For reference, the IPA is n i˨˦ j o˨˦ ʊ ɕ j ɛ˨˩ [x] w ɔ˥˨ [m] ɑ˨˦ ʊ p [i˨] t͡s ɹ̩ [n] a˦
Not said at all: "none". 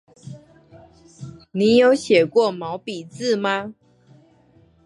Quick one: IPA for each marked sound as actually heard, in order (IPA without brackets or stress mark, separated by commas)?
k, m, i˨, m